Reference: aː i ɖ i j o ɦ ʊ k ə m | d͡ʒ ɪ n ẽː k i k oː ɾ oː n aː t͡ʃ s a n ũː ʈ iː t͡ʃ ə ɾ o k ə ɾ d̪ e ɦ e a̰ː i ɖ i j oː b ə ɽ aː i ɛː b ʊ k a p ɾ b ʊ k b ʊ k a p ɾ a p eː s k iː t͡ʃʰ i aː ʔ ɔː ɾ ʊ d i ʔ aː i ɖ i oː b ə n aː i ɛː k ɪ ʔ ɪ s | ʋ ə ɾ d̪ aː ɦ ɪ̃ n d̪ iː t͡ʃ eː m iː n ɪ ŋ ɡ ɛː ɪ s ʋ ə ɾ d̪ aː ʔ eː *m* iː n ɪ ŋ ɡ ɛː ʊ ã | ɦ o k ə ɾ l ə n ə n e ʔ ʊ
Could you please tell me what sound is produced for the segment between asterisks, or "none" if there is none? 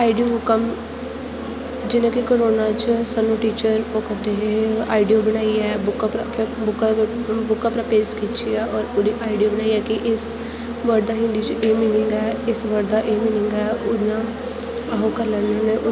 m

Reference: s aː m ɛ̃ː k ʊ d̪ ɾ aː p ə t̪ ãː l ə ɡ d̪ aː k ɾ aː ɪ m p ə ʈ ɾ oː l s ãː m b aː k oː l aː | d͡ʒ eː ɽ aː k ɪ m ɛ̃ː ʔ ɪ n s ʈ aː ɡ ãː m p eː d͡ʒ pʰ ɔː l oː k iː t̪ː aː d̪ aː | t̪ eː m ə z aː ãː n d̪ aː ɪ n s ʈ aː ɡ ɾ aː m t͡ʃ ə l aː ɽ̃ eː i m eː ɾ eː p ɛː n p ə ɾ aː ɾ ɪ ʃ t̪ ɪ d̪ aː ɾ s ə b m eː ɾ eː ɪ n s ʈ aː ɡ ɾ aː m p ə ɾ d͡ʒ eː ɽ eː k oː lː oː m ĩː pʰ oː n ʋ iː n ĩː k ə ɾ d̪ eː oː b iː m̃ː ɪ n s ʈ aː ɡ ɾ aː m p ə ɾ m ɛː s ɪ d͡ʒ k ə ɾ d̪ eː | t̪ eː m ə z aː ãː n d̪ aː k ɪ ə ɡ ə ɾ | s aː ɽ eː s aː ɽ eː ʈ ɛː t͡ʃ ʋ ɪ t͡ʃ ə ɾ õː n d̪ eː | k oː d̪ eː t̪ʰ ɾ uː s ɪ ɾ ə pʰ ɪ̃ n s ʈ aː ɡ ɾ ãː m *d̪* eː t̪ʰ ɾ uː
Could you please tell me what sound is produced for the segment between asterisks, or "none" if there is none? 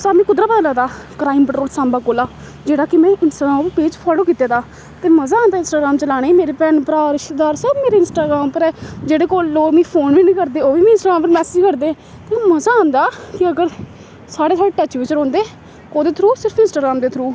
d̪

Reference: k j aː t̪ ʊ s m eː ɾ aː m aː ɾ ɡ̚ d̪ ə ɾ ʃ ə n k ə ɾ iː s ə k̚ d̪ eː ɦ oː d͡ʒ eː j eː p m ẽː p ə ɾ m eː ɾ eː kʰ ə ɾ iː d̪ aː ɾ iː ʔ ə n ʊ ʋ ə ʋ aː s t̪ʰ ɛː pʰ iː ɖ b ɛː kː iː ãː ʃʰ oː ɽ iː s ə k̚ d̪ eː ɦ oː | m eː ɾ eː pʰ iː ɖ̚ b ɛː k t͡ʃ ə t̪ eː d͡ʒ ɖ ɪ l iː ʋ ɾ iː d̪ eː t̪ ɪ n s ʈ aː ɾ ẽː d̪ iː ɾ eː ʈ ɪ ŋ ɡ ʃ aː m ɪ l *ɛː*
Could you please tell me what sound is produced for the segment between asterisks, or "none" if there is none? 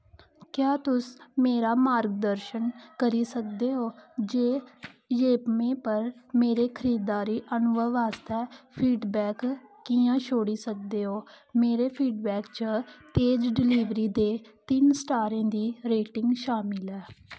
ɛː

